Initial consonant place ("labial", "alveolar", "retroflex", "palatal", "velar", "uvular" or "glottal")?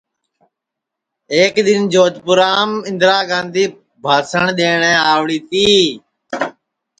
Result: velar